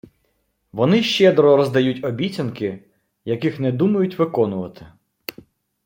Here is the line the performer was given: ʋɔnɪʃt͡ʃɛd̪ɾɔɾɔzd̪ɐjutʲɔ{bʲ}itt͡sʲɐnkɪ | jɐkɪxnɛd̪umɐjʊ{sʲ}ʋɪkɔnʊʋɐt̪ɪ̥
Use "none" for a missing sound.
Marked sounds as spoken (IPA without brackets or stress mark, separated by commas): bʲ, tʲ